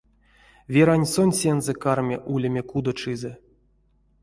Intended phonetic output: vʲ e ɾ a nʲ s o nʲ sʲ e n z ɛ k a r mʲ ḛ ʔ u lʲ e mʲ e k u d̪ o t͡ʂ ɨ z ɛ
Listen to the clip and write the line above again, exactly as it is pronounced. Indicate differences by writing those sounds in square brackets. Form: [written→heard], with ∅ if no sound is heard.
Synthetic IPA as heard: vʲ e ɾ a nʲ s o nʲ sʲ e n z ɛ k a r mʲ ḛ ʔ u lʲ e mʲ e k u d̪ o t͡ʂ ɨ z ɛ